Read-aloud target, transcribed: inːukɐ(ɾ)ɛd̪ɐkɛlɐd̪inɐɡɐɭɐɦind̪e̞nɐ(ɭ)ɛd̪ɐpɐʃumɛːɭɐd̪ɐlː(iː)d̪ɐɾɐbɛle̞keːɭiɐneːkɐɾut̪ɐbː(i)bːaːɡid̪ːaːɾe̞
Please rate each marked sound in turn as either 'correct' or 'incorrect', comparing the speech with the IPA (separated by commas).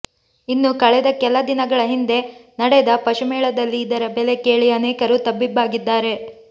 incorrect, incorrect, correct, correct